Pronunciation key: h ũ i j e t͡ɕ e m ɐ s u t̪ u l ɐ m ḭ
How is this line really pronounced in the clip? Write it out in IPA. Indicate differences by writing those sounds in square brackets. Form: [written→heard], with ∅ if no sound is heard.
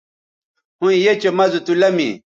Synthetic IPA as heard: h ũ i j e t͡ɕ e m ɐ [s→z] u t̪ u l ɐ m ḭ

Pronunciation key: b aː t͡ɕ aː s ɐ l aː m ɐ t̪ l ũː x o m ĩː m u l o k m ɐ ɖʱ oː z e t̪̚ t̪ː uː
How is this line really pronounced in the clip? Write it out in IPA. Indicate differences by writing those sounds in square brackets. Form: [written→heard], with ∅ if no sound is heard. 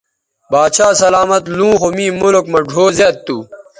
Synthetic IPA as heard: b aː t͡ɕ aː s ɐ l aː m ɐ t̪ l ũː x o m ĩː m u l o k m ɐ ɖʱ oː z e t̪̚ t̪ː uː

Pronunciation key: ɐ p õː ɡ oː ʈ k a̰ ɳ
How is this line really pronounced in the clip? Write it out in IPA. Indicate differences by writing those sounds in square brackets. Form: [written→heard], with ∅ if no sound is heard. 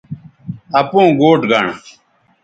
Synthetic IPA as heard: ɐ p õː ɡ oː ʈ [k→ɡ] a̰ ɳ

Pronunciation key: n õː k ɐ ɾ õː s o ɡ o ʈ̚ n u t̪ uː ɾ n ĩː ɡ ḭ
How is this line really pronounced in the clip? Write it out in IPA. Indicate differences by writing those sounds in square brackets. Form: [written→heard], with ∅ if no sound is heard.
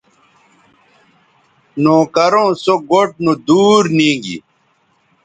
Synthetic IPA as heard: n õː k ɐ ɾ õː s o ɡ o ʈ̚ n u [t̪→d̪] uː ɾ n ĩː ɡ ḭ

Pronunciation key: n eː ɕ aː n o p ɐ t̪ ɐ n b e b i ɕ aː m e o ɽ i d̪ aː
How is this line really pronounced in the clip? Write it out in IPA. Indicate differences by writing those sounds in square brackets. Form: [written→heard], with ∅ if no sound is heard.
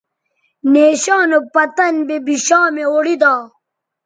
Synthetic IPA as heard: n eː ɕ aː n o p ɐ t̪ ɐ n b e b i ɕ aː m e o ɽ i d̪ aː

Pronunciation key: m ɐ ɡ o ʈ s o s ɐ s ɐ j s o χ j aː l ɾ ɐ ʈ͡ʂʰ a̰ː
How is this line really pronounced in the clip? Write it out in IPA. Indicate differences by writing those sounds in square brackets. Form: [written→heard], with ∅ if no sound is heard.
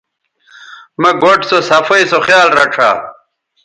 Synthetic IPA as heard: m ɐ ɡ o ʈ s o s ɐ [s→f] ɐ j s o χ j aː l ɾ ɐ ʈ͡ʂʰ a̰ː

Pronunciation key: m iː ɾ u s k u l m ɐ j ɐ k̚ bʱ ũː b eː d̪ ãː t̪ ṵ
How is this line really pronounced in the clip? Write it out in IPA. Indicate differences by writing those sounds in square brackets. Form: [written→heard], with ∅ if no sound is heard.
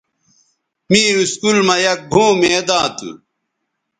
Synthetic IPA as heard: m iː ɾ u s k u l m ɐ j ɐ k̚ bʱ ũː [b→m] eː d̪ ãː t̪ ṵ

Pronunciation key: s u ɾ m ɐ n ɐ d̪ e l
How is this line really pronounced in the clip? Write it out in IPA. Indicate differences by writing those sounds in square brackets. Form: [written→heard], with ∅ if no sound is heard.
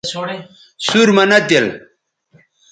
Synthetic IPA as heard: s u ɾ m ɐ n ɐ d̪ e l

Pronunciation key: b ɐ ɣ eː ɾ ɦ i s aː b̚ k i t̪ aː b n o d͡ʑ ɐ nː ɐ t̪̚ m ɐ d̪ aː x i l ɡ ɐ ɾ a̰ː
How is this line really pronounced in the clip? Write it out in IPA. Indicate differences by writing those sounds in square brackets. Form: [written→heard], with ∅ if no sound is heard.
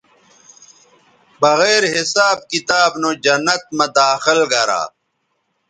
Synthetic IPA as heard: b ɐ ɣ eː ɾ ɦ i s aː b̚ k i t̪ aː b n o d͡ʑ ɐ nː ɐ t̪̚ m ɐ d̪ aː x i l ɡ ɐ ɾ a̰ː

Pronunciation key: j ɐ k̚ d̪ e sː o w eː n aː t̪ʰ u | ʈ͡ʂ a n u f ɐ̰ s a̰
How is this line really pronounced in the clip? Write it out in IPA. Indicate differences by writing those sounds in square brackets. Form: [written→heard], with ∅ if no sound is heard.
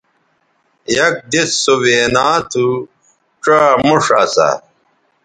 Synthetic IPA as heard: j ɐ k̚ d̪ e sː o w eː n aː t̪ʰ u | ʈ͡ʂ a [n→m] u [f→ʂ] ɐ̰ s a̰

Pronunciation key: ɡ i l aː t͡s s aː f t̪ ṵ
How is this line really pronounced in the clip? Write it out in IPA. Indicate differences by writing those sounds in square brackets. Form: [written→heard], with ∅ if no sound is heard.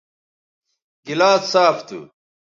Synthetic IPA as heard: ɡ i l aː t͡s s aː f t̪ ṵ

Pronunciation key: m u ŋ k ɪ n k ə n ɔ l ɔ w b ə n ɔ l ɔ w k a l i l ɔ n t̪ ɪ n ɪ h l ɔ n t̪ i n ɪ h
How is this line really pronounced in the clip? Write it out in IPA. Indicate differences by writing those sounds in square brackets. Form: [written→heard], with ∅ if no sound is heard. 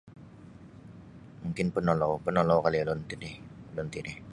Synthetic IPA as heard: m u ŋ k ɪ n [k→p] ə n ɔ l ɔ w [b→p] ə n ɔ l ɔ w k a l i l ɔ n t̪ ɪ n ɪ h l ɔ n t̪ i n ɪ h

